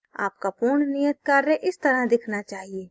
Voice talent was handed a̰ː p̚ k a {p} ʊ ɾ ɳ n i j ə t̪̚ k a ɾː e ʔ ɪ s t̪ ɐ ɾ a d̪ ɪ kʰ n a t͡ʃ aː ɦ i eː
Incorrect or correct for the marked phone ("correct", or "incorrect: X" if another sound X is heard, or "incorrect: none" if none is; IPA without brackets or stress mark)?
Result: correct